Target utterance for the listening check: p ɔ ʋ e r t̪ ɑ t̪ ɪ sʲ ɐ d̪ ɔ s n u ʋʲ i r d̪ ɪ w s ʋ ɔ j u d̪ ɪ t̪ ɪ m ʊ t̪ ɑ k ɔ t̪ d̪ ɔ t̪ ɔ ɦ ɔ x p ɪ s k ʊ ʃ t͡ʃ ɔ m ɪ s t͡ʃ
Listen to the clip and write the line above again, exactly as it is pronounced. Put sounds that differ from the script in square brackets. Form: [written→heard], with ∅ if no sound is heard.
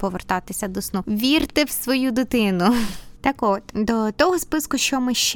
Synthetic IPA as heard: p ɔ ʋ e r t̪ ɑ t̪ ɪ sʲ ɐ d̪ ɔ s n u ʋʲ i r [d̪→t̪] ɪ w s ʋ ɔ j u d̪ ɪ t̪ ɪ [m→n] ʊ t̪ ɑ k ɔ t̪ d̪ ɔ t̪ ɔ ɦ ɔ [x→s] p ɪ s k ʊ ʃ t͡ʃ ɔ m ɪ [s→ʃ] t͡ʃ